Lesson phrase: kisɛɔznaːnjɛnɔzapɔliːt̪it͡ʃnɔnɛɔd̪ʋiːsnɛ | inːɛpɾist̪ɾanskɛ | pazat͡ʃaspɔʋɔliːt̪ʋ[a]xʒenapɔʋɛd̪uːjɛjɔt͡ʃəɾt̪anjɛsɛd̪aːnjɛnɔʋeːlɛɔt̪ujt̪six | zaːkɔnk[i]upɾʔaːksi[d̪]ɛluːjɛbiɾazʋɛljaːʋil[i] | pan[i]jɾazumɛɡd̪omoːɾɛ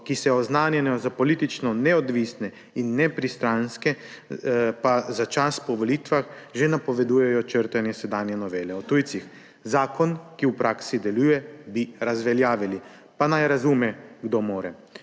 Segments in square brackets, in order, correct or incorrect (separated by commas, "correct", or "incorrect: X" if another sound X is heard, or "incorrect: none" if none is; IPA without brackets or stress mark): correct, correct, correct, correct, incorrect: a